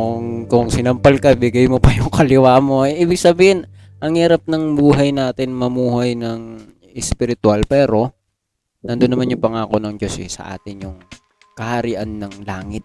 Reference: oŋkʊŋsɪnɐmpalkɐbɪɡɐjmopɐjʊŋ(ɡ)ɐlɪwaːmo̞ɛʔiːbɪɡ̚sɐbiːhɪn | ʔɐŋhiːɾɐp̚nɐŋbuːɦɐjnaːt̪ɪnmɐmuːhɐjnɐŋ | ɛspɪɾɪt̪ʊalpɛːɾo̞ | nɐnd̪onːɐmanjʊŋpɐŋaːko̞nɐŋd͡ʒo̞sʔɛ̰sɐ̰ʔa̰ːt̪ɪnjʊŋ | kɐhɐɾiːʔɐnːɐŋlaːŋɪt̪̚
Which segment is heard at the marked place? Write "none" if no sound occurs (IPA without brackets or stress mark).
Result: k